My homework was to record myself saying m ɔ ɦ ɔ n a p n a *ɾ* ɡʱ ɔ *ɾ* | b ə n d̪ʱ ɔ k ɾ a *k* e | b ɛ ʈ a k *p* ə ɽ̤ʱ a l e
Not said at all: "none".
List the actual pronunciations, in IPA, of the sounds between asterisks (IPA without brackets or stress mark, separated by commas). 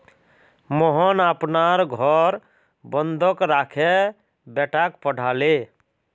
ɾ, ɾ, kʰ, p